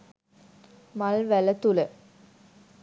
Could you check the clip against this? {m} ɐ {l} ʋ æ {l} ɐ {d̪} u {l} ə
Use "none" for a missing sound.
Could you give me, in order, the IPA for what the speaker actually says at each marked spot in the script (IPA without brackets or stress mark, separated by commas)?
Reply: m, l, l, t̪, l